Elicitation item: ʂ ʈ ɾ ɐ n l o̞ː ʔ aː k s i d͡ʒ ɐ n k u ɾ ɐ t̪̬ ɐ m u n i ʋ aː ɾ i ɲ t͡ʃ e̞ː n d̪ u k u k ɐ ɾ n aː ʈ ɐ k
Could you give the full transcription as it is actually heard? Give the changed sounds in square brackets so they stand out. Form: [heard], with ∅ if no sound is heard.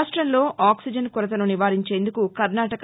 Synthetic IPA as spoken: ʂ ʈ ɾ ɐ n l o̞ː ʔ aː k s i d͡ʒ ɐ n k u ɾ ɐ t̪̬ ɐ [n] u n i ʋ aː ɾ i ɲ t͡ʃ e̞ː n d̪ u k u k ɐ ɾ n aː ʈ ɐ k